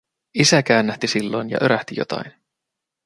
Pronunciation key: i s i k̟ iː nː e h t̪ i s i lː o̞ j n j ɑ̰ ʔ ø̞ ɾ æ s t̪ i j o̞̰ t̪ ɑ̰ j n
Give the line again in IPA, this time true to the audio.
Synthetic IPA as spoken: i s æ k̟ æː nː æ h t̪ i s i lː o̞ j n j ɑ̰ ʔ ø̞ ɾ æ h t̪ i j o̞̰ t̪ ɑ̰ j n